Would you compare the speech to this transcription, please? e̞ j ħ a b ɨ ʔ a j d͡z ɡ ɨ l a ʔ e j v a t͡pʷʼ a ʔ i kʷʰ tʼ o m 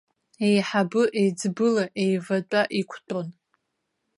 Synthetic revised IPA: e̞ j ħ a b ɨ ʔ e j d͡z b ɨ l a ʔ e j v a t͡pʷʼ a ʔ i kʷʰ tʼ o n